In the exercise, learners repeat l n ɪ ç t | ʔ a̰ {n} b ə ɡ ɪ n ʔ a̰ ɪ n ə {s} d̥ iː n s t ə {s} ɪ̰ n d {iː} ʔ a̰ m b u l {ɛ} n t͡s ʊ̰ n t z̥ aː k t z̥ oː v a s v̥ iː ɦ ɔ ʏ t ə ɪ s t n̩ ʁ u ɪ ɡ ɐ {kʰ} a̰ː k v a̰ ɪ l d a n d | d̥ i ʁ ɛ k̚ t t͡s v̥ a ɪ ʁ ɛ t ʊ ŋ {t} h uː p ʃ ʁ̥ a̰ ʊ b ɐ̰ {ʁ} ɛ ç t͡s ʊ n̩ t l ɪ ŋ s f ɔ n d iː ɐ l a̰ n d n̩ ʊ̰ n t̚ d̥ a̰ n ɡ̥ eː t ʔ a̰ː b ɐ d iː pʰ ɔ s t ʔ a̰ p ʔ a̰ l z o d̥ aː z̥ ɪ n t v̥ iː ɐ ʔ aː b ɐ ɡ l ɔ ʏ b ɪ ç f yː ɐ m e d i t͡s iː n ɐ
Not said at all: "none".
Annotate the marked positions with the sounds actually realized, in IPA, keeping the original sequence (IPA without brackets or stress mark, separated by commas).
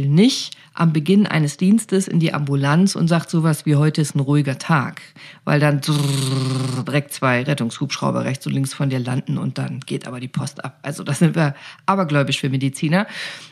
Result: m, s, s, iː, a, tʰ, s, ʁ